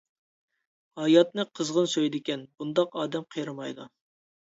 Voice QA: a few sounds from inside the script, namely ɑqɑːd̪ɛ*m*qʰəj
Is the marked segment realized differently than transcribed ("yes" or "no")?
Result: no